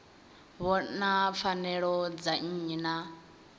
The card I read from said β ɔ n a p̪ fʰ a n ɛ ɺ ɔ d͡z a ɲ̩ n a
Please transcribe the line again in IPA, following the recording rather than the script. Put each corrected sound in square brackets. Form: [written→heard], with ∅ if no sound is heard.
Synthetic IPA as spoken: β ɔ n a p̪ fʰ a n ɛ ɺ ɔ d͡z a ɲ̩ n a